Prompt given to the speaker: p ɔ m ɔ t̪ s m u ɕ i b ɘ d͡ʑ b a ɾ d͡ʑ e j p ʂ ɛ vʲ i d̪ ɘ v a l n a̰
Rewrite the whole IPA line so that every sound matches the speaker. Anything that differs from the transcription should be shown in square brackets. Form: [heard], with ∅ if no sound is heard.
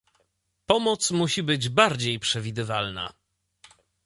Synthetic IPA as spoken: p ɔ m ɔ t̪ s m u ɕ i b ɘ d͡ʑ b a ɾ d͡ʑ e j p ʂ ɛ vʲ i d̪ ɘ v a l n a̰